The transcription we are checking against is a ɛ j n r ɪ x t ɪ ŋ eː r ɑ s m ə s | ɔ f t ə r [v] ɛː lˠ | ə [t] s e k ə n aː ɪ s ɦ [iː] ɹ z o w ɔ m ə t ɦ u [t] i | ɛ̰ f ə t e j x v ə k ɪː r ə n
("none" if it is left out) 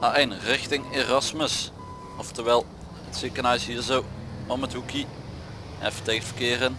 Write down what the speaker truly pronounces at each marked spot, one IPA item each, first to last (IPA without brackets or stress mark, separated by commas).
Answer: ʋ, t, iː, k